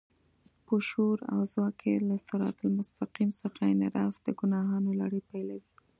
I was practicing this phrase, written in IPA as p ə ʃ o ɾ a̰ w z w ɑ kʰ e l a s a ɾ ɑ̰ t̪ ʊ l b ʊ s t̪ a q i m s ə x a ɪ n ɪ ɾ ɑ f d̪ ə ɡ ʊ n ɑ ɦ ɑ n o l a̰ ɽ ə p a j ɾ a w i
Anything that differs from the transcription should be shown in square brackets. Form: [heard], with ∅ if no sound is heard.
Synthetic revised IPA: p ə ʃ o ɾ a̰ w z w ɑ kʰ e l a s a ɾ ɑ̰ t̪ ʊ l [m] ʊ s t̪ a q i m s ə x a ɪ n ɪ ɾ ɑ f d̪ ə ɡ ʊ n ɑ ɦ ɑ n o l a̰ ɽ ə p a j [l] a w i